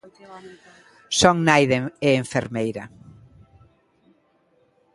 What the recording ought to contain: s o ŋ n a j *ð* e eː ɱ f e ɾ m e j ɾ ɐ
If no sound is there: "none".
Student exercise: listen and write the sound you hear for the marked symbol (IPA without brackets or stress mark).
ð